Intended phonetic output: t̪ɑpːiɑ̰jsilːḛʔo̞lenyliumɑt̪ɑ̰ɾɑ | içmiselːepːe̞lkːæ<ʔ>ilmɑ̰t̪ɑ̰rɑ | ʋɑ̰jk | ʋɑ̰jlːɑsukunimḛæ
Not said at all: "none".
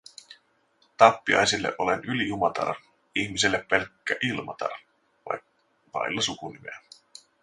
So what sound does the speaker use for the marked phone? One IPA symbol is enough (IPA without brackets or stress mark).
ʔ